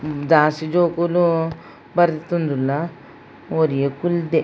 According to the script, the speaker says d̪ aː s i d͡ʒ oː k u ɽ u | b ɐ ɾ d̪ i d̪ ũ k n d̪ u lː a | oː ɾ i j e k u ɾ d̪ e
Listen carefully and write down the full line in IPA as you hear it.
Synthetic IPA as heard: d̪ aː s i d͡ʒ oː k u l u | b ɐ ɾ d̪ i t̪ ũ n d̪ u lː a | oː ɾ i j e k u l d̪ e